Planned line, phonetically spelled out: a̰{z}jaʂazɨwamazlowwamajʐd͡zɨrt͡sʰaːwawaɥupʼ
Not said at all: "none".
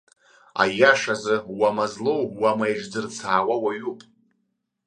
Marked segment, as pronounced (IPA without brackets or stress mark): none